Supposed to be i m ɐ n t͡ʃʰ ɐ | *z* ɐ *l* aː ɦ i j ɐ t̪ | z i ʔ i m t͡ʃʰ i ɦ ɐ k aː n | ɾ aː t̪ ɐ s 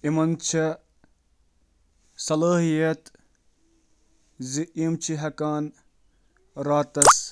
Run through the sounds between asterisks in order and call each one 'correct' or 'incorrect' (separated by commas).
incorrect, correct